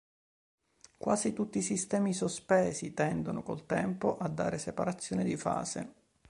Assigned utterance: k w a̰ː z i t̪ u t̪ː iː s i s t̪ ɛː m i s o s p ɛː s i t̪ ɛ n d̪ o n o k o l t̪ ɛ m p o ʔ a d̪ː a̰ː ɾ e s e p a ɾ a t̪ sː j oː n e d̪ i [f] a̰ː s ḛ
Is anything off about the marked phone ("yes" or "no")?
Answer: no